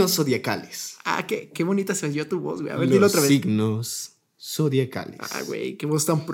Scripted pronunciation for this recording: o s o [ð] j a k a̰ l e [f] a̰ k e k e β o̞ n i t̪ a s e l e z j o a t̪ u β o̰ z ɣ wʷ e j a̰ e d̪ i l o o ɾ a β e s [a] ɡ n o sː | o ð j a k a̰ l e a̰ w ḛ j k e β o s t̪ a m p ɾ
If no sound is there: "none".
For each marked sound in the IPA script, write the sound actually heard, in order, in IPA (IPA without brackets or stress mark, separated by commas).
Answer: ð, s, i